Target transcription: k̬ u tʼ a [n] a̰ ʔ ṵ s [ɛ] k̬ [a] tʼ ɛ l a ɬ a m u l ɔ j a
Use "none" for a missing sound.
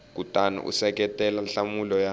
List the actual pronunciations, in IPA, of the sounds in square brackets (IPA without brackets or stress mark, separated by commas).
n, ɛ, ɛ